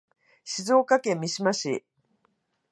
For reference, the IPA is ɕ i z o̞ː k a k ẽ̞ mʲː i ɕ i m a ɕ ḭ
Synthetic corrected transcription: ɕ i z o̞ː k a k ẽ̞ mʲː i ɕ i m a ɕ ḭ

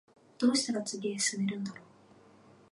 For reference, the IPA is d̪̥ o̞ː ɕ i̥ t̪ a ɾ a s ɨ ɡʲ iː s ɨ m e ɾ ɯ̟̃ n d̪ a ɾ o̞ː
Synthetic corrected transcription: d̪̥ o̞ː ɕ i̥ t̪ a ɾ a t͡s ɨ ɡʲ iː s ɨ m e ɾ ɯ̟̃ n d̪ a ɾ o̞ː

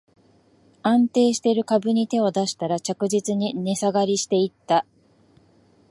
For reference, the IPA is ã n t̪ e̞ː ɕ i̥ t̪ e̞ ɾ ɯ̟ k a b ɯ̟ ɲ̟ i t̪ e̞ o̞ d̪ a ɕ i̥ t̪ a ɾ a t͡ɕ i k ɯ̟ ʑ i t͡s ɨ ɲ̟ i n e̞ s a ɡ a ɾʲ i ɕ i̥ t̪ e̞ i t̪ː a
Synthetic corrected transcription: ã n t̪ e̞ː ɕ i̥ t̪ e̞ ɾ ɯ̟ k a b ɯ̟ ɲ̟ i t̪ e̞ o̞ d̪ a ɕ i̥ t̪ a ɾ a t͡ɕ a k ɯ̟ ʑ i t͡s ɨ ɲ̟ i n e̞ s a ɡ a ɾʲ i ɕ i̥ t̪ e̞ i t̪ː a

